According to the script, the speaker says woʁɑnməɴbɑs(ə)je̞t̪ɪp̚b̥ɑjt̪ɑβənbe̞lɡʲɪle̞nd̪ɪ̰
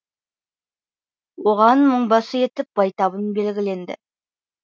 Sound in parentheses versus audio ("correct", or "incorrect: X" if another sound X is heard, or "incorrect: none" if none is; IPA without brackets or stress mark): correct